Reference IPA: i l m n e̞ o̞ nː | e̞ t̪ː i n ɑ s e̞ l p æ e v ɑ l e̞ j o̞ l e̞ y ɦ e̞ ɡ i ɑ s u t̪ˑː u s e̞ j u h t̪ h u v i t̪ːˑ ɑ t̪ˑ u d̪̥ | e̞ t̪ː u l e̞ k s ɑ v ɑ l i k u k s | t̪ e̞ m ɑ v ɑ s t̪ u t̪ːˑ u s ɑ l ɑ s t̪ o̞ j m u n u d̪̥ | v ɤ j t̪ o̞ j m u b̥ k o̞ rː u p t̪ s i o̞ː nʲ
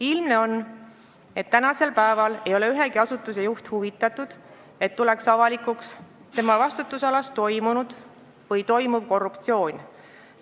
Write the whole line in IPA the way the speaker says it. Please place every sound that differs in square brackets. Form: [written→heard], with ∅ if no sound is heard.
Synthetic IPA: i l m n e̞ o̞ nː | e̞ t̪ː [i→æ] n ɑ s e̞ l p æ e v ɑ l e̞ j o̞ l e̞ y ɦ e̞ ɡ i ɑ s u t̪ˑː u s e̞ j u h t̪ h u v i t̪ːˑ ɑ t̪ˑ u d̪̥ | e̞ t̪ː u l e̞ k s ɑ v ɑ l i k u k s | t̪ e̞ m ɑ v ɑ s t̪ u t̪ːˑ u s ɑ l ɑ s t̪ o̞ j m u n u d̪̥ | v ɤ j t̪ o̞ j m u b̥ k o̞ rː u p t̪ s i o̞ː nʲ

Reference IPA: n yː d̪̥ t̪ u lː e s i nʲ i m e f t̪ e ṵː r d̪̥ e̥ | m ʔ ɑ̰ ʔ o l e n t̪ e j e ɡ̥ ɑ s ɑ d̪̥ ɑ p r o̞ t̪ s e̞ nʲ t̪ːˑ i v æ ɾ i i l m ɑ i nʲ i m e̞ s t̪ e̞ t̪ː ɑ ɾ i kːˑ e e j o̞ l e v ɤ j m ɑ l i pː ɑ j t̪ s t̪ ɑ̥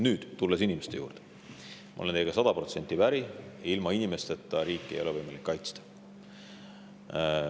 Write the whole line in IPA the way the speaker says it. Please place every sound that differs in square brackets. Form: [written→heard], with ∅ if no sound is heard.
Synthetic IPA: n yː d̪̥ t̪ u lː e s i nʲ i m e [f→s] t̪ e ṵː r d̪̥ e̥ | m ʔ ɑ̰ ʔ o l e n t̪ e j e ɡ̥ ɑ s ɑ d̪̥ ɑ p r o̞ t̪ s e̞ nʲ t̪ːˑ i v æ ɾ i i l m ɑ i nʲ i m e̞ s t̪ e̞ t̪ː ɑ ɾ [i→iː] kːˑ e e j o̞ l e v ɤ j m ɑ l i [pː→kː] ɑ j t̪ s t̪ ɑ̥

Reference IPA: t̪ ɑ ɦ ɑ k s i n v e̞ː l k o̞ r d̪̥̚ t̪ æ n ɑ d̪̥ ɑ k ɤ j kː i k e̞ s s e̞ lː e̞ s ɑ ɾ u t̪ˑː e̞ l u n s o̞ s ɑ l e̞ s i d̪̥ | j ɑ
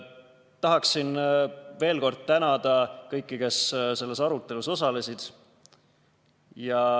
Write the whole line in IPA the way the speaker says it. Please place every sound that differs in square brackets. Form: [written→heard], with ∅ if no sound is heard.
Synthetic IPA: t̪ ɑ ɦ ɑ k s i n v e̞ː l k o̞ r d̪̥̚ t̪ æ n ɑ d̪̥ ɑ k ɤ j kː i k e̞ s s e̞ lː e̞ s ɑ ɾ u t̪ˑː e̞ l u [n→∅] s o̞ s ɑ l e̞ s i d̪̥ | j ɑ

